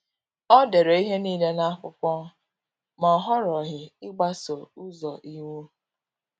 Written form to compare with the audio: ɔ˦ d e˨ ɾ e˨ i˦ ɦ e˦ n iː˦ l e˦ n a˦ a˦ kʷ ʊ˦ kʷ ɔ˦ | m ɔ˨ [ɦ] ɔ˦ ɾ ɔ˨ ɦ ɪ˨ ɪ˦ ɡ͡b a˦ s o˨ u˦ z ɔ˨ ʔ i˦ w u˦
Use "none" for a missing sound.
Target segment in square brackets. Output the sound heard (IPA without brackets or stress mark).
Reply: ɦ